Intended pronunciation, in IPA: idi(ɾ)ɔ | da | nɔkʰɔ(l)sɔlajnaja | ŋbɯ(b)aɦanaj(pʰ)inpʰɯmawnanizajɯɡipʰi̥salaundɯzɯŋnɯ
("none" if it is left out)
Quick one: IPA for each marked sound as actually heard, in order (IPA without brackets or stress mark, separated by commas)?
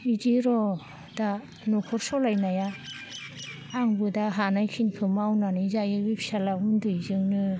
ɾ, ɾ, d, kʰ